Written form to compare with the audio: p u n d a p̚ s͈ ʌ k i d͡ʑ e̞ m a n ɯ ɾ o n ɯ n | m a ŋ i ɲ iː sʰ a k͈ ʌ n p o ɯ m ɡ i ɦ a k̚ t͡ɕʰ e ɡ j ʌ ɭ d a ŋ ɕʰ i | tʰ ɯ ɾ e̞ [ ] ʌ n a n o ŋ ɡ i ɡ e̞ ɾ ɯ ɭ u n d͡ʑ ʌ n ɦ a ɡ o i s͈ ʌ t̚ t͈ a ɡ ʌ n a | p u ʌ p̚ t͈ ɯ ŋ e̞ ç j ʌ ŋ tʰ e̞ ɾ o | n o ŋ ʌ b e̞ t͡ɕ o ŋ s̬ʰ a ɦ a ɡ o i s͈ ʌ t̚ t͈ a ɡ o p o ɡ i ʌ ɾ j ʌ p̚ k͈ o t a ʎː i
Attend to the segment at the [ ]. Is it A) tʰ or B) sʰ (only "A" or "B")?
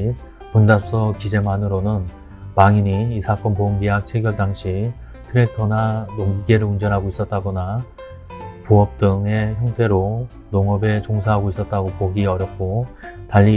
A